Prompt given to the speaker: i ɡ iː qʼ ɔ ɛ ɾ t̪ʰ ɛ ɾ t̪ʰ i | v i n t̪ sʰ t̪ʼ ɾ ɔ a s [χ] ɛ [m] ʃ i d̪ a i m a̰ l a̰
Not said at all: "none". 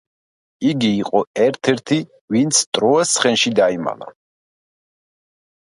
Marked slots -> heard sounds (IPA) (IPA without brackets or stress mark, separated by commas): χ, n